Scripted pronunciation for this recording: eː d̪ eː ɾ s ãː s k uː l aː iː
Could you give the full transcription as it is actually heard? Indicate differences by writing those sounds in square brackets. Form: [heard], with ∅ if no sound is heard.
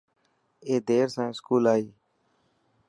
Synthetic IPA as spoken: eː d̪ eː ɾ s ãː s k uː l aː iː